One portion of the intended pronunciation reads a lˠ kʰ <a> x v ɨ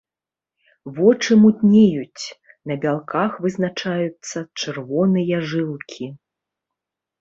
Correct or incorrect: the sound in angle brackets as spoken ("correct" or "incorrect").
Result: correct